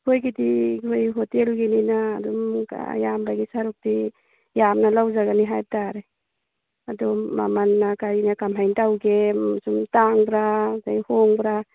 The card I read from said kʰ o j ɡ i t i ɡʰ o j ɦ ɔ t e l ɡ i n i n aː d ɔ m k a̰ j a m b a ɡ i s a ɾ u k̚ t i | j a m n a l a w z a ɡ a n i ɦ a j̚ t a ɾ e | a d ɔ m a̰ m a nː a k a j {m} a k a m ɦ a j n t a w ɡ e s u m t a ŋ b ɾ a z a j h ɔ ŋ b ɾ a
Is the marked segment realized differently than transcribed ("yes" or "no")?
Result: yes